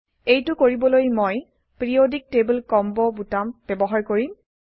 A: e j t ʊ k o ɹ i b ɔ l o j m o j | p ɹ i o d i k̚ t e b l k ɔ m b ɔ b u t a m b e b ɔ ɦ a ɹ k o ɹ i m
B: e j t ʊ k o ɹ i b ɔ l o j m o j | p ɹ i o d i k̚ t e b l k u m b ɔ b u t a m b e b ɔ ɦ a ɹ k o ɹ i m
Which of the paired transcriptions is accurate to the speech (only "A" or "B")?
A